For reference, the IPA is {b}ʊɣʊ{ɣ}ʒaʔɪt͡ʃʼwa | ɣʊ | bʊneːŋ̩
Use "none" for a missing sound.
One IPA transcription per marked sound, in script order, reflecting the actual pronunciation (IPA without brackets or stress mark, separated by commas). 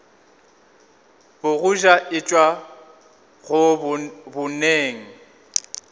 b, none